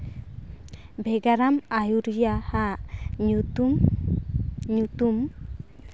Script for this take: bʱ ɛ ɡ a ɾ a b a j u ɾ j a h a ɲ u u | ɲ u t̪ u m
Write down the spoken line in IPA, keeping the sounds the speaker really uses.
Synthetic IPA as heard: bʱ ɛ ɡ a ɾ a m a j u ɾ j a h a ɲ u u | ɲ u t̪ u m